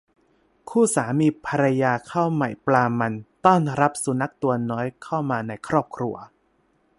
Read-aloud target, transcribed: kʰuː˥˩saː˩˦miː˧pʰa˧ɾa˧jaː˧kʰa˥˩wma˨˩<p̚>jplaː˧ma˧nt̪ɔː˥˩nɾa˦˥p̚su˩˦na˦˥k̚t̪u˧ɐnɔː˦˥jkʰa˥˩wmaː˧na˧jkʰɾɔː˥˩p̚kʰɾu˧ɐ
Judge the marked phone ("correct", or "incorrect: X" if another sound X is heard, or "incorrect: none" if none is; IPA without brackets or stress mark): incorrect: none